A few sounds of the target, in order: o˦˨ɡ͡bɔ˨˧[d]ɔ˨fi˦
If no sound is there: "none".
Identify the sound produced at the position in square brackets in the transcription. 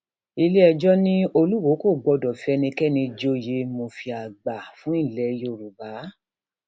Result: d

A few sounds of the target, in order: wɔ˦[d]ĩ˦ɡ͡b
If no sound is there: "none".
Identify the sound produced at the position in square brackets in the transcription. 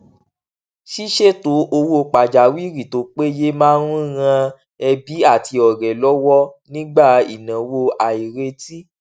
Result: n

